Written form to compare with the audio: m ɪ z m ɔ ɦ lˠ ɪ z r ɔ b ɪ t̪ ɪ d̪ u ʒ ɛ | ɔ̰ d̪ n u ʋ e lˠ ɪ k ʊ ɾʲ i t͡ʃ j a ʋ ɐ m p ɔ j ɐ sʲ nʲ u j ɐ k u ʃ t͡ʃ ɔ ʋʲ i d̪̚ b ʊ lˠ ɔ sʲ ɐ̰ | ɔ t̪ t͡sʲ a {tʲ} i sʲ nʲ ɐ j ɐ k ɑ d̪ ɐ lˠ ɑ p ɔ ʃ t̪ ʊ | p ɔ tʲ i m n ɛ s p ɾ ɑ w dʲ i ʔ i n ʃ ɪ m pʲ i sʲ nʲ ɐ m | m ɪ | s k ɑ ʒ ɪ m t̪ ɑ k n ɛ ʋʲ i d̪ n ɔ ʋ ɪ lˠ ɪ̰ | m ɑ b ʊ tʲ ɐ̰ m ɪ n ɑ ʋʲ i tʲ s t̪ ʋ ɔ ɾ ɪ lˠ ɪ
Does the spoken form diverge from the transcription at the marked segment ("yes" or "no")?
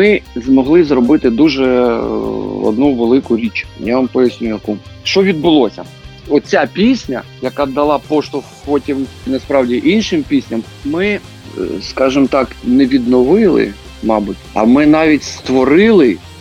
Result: yes